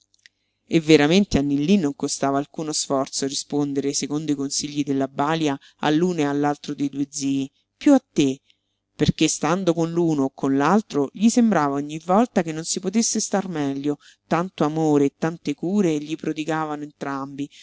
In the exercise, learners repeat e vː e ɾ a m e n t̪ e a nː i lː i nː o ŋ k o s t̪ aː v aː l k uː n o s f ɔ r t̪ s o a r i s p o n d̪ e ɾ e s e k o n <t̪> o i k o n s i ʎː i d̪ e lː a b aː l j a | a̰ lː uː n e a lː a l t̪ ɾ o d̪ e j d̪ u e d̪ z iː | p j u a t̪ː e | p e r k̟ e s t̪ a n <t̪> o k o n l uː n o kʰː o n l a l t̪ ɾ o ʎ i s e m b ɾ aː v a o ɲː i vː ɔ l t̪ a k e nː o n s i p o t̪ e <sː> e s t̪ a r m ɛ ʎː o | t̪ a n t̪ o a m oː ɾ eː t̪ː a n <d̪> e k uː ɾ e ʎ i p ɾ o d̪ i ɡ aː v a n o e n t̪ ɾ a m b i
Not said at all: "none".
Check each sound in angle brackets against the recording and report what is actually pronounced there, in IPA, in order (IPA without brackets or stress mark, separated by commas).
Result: d̪, d̪, sː, t̪